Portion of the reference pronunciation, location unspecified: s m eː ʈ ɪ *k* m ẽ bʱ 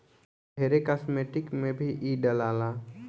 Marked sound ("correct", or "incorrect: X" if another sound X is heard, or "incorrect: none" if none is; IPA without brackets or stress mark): correct